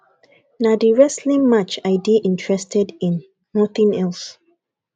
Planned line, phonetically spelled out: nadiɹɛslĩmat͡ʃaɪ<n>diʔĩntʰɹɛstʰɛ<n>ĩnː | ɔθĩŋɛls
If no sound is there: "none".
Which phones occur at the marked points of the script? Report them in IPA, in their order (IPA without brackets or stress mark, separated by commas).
none, d